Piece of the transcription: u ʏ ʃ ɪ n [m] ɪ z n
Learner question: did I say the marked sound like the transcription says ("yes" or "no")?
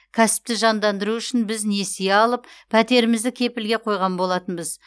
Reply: no